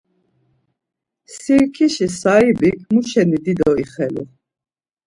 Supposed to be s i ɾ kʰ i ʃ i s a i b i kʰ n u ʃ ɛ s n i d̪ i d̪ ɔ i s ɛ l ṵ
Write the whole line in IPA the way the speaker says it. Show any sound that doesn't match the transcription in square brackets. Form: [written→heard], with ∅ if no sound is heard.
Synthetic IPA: s i ɾ kʰ i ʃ i s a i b i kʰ [n→m] u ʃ ɛ [s→∅] n i d̪ i d̪ ɔ i [s→χ] ɛ l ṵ